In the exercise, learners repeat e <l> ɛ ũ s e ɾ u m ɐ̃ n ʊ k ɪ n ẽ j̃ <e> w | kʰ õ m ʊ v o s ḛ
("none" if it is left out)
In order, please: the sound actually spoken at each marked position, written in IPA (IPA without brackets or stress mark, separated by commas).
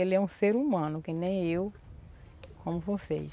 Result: l, e